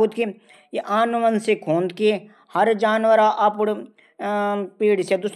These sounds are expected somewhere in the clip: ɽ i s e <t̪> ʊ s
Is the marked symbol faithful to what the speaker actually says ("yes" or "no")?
no